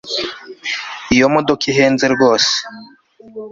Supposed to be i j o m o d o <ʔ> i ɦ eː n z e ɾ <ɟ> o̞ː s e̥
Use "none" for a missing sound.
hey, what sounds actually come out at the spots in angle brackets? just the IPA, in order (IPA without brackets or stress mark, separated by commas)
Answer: k, ɡ